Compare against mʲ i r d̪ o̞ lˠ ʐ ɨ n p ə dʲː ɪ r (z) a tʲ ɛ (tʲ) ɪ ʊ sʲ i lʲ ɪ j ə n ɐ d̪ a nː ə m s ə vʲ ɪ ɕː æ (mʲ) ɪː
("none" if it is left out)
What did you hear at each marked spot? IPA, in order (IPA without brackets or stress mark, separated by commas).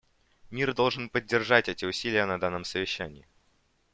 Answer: ʐ, tʲ, nʲ